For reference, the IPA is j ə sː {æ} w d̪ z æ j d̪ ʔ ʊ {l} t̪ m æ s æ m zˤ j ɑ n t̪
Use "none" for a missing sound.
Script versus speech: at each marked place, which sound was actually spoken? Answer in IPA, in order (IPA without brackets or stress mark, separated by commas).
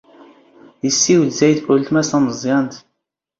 i, l